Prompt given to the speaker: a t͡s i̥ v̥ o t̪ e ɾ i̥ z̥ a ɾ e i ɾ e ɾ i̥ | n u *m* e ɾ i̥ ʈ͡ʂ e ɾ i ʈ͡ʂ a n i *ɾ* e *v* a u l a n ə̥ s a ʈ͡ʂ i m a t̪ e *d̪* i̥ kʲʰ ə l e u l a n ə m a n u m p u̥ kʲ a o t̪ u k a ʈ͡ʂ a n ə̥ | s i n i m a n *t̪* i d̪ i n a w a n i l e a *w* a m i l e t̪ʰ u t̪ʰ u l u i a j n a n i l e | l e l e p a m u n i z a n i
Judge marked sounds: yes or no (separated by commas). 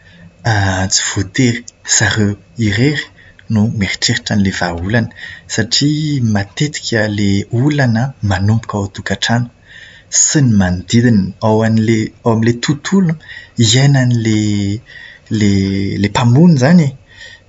yes, no, yes, no, no, yes